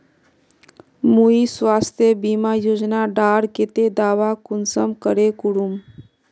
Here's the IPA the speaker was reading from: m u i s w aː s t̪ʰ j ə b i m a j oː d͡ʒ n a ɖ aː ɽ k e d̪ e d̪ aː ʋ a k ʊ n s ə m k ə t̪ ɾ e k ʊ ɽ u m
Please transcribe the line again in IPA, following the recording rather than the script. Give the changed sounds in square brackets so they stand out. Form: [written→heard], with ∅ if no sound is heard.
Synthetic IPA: m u i s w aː s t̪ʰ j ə b i m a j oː d͡ʒ n a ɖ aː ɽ k e [d̪→t̪] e d̪ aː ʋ a k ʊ n s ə m k ə [t̪→∅] ɾ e k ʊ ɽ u m